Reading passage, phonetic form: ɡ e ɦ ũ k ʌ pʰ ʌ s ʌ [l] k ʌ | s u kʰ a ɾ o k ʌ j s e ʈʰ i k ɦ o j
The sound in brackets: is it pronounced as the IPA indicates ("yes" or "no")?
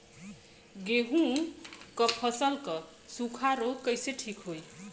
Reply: yes